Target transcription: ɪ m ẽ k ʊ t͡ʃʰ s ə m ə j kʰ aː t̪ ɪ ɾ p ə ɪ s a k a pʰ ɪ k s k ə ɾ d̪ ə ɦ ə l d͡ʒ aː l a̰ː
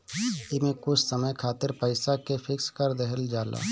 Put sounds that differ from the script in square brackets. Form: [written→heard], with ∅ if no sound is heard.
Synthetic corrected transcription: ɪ m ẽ k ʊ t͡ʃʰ s ə m ə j kʰ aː t̪ ɪ ɾ p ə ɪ s a k [a→e] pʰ ɪ k s k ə ɾ d̪ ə ɦ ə l d͡ʒ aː l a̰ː